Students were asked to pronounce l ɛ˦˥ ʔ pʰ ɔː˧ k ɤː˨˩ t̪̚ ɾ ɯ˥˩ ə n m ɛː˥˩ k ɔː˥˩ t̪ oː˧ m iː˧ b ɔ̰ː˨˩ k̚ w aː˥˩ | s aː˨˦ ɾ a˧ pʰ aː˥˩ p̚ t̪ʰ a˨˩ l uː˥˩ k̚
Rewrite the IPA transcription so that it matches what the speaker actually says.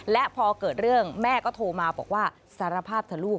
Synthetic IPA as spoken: l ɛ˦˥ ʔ pʰ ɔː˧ k ɤː˨˩ t̪̚ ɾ ɯ˥˩ ə ŋ m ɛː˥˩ k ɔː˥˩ t̪ʰ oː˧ m aː˧ b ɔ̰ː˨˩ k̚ w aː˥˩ | s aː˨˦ ɾ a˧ pʰ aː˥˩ p̚ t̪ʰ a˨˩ l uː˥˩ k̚

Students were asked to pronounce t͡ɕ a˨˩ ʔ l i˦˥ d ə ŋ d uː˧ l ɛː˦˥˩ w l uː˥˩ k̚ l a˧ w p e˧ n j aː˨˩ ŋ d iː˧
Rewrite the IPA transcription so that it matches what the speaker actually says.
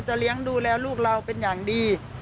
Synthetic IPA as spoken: t͡ɕ a˨˩ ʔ l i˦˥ ə ŋ d uː˧ l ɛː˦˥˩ w l uː˥˩ k̚ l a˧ w p e˧ n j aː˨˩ ŋ d iː˧

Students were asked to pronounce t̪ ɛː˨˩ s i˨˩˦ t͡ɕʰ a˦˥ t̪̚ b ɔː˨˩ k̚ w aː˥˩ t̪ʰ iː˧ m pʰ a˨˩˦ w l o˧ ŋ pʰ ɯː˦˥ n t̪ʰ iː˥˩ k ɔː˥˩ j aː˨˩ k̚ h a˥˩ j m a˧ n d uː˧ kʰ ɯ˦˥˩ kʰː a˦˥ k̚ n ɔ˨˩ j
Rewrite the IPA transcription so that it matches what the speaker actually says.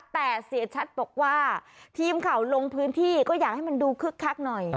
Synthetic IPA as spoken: t̪ ɛː˨˩ s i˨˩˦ t͡ɕʰ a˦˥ t̪̚ b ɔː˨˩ k̚ w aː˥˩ t̪ʰ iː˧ m kʰ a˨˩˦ w l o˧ ŋ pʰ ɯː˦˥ n t̪ʰ iː˥˩ k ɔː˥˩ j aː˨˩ k̚ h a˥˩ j m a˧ n d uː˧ kʰ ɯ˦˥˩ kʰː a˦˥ k̚ n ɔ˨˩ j

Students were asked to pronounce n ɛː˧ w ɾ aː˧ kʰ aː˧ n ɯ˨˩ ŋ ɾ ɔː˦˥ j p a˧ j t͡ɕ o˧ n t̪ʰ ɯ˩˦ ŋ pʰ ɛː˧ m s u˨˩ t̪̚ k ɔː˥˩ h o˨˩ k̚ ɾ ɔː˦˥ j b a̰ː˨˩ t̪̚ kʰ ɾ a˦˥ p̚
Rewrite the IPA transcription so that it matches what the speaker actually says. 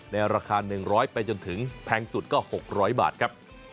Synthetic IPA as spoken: n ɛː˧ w ɾ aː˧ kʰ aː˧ n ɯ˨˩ ŋ ɾ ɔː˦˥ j p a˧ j t͡ɕ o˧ n t̪ʰ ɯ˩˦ ŋ pʰ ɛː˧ ŋ s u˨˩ t̪̚ k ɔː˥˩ h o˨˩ k̚ ɾ ɔː˦˥ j b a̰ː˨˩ t̪̚ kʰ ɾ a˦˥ p̚

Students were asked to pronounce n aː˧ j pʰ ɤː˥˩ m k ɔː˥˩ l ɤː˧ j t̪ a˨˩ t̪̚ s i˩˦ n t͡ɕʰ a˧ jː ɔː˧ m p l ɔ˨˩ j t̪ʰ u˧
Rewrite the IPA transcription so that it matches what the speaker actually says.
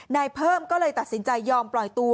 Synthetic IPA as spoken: n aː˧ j pʰ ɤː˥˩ m k ɔː˥˩ l ɤː˧ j t̪ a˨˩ t̪̚ s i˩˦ n t͡ɕ a˧ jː ɔː˧ m p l ɔ˨˩ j t̪ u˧

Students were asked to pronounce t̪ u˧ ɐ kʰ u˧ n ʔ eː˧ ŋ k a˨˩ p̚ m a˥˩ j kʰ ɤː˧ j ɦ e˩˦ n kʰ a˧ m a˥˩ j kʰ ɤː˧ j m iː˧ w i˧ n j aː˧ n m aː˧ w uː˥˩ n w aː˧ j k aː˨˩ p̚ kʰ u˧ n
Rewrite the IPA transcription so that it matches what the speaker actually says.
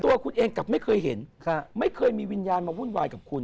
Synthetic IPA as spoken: t̪ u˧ ɐ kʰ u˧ n ʔ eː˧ ŋ k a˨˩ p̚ m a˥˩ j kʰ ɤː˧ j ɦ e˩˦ n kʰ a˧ m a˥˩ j kʰ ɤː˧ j m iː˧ w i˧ n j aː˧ n m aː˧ w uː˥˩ n w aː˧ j k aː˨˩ p̚ kʰ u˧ n

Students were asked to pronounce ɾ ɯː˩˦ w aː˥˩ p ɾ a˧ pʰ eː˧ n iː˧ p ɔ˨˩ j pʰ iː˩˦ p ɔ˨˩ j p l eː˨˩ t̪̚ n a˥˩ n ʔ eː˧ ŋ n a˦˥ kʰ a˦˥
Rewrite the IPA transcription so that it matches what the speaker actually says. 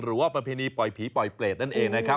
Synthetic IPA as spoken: ɾ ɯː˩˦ w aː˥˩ p ɾ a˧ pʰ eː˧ n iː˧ p ɔ˨˩ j pʰ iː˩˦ p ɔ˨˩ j p l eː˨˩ t̪̚ n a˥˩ n ʔ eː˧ ŋ n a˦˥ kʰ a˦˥

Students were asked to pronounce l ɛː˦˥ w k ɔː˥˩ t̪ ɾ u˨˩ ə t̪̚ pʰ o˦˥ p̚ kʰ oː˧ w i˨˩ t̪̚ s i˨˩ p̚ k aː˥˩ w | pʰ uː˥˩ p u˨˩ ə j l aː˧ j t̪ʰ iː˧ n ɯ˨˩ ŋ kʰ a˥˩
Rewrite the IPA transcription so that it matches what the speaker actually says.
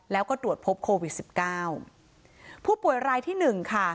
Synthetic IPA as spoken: l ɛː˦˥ w k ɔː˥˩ t̪ ɾ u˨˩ ə t̪̚ pʰ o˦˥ p̚ kʰ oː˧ w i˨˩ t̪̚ s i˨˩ p̚ k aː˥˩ w | pʰ uː˥˩ p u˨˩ ə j ɾ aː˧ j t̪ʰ iː˥˩ n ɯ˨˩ ŋ kʰ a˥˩

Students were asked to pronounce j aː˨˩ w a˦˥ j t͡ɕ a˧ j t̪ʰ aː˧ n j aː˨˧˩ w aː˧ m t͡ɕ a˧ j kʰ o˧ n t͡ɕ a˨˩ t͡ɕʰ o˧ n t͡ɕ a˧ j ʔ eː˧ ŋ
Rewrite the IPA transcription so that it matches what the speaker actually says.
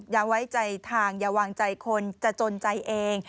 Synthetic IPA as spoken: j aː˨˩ w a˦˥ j t͡ɕ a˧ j t̪ʰ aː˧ ŋ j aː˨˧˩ w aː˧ ŋ t͡ɕ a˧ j kʰ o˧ n t͡ɕ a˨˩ t͡ɕ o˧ n t͡ɕ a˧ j ʔ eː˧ ŋ

